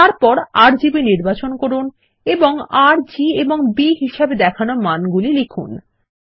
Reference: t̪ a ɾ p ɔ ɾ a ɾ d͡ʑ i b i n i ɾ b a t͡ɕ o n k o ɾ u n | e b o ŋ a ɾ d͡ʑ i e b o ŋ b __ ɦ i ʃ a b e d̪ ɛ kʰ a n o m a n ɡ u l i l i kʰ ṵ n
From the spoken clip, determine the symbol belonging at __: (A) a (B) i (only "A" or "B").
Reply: B